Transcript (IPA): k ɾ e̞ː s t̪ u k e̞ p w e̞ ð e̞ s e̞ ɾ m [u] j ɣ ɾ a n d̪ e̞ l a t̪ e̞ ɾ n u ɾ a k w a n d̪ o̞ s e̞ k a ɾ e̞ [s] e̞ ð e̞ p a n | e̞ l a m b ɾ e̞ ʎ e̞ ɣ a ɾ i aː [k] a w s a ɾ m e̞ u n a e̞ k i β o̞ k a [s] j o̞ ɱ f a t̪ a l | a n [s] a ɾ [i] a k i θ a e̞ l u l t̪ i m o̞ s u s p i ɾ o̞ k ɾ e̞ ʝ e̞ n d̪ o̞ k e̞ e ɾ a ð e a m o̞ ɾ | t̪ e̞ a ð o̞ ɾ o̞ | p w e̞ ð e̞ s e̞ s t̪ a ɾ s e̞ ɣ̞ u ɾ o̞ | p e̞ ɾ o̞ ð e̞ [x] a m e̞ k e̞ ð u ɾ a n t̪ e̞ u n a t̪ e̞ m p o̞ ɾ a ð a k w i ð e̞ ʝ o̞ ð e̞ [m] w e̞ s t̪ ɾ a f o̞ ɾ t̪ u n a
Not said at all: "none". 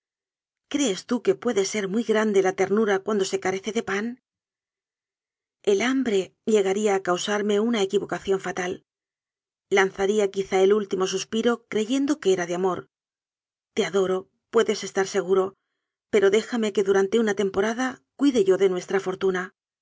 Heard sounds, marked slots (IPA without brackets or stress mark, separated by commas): u, θ, k, θ, θ, i, x, n